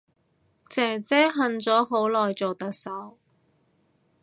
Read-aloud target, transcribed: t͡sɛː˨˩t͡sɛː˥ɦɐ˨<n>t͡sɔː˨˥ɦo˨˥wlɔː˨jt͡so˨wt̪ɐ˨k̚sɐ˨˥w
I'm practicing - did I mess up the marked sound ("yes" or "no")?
no